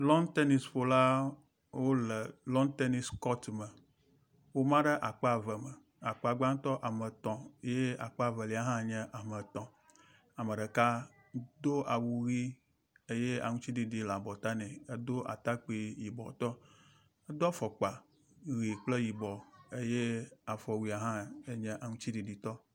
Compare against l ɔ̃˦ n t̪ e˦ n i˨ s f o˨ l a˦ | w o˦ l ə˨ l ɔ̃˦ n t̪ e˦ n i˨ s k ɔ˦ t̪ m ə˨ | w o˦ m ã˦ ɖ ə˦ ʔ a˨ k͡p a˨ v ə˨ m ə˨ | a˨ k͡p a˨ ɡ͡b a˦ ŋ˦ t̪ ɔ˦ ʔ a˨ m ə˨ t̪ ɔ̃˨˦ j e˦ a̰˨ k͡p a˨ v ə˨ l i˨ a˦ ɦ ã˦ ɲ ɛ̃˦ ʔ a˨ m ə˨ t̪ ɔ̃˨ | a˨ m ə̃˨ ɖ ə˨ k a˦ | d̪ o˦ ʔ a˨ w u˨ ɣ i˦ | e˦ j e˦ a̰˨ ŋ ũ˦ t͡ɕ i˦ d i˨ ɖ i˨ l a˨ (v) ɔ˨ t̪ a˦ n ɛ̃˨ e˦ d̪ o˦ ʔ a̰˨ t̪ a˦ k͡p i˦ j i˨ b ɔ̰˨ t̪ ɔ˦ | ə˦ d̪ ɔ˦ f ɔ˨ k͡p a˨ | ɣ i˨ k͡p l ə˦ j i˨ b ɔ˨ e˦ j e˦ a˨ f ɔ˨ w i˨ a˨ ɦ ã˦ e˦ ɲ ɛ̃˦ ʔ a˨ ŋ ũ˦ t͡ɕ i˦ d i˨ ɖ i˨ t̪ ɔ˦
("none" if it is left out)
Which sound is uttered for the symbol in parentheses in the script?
b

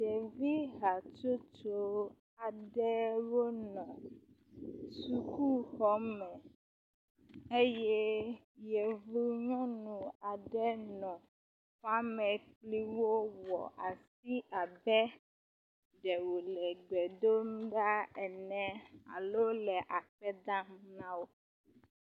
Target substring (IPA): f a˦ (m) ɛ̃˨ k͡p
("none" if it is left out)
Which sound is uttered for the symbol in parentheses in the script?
m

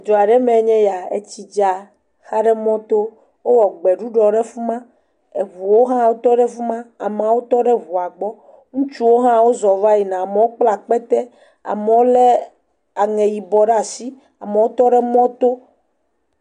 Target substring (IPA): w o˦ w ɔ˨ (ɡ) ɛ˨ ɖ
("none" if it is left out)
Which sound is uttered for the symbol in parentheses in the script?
ɡ͡b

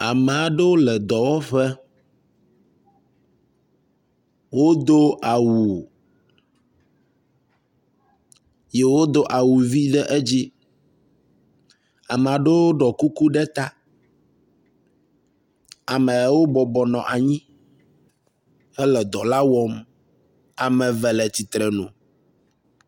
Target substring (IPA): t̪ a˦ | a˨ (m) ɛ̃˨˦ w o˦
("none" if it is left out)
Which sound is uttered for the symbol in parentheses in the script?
m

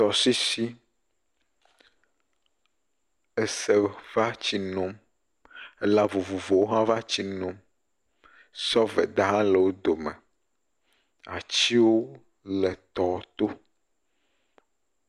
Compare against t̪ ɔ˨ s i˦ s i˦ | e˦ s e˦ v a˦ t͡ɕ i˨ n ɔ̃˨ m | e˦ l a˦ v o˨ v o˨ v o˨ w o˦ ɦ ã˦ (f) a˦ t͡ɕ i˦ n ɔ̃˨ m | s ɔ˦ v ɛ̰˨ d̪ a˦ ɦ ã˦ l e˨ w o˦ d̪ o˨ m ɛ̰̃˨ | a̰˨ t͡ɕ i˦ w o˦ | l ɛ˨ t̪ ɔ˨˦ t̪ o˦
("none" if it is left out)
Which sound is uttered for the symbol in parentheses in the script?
v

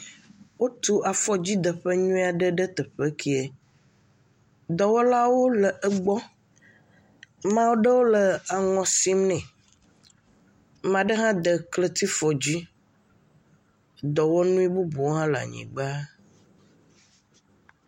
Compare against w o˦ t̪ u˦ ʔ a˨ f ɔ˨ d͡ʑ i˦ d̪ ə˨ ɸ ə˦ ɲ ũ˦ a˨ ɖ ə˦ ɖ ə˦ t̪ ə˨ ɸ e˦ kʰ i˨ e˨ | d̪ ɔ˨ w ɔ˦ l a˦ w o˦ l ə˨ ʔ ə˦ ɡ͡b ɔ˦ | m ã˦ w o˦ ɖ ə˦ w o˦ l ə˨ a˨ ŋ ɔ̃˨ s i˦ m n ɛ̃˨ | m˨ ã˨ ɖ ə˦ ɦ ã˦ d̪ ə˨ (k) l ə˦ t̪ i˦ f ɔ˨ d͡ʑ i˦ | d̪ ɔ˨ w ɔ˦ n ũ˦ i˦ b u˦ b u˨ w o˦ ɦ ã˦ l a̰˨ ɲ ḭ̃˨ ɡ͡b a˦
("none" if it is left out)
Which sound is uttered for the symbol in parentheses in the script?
k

